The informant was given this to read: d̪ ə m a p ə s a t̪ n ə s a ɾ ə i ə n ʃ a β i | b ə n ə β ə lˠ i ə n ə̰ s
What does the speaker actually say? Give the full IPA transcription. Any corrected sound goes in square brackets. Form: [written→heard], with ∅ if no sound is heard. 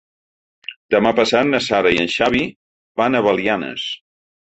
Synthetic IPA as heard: d̪ ə m a p ə s a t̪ n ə s a ɾ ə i ə n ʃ a β i | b [ə→a] n ə β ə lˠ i [ə→a] n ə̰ s